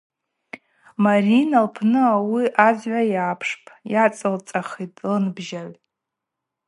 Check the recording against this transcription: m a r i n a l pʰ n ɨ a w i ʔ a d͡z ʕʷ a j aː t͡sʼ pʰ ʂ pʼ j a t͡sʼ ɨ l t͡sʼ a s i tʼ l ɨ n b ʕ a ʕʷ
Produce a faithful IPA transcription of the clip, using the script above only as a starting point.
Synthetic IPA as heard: m a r i n a l pʰ n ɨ a w i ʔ a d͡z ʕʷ a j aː pʰ ʂ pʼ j a t͡sʼ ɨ l t͡sʼ a χ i tʼ l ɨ n b ʒ a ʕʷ